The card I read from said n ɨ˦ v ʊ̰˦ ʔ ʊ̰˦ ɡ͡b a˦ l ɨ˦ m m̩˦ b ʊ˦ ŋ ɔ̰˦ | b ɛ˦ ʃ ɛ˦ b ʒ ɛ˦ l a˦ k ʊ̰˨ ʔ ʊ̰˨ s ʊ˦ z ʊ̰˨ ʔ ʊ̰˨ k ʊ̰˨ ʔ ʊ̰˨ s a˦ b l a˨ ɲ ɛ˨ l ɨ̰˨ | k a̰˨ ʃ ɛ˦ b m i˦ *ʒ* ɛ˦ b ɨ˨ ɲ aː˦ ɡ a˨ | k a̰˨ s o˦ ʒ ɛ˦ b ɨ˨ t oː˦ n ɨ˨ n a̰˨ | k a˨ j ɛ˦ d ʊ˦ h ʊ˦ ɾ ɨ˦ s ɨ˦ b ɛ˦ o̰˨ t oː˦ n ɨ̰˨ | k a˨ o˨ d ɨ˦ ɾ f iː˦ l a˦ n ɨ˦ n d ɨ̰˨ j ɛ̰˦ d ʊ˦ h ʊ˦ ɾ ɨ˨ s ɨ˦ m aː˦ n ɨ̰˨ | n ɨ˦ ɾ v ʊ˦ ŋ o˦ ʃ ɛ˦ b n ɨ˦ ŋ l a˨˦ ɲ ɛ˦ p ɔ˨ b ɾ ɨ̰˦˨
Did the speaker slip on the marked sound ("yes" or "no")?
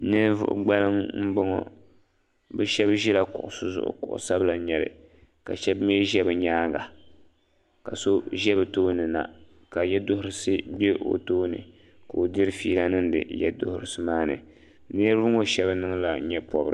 no